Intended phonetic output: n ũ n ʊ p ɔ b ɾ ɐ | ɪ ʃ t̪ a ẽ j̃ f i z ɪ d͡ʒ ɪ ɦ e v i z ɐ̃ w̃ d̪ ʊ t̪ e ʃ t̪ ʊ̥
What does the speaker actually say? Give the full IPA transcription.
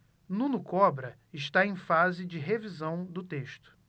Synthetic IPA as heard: n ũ n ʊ k ɔ b ɾ ɐ | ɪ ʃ t̪ a ẽ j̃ f a z ɪ d͡ʒ ɪ ɦ e v i z ɐ̃ w̃ d̪ ʊ t̪ e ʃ t̪ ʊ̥